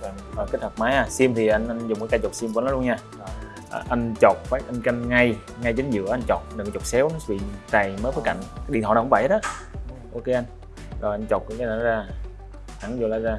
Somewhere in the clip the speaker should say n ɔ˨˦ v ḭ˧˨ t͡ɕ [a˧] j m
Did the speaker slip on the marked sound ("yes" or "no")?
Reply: yes